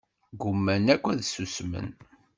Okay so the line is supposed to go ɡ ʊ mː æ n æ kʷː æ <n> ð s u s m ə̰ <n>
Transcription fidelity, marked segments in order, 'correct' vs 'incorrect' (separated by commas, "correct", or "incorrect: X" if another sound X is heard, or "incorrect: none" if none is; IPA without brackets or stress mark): incorrect: none, correct